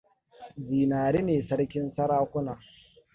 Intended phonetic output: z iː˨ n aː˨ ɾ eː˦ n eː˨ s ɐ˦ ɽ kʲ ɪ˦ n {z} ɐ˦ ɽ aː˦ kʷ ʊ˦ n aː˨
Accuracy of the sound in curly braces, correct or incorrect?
incorrect: s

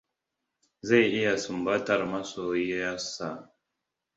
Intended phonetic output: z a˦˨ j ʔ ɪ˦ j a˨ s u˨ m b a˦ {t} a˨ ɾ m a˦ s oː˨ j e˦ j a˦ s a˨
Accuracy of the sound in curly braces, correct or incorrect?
correct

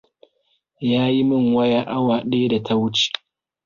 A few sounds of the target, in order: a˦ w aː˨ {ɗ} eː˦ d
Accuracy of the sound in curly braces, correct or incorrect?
correct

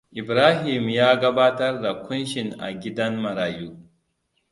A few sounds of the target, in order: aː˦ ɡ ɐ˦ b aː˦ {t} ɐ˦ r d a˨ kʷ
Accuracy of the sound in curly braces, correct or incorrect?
correct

